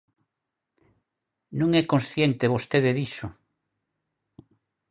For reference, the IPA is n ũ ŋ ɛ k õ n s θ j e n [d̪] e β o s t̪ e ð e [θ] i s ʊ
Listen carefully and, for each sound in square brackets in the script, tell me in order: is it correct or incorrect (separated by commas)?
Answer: incorrect, incorrect